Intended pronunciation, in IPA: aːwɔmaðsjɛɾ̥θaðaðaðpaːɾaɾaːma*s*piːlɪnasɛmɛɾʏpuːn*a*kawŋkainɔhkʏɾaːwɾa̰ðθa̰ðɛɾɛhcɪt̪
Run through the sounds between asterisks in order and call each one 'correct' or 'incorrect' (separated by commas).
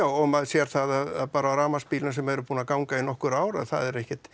correct, correct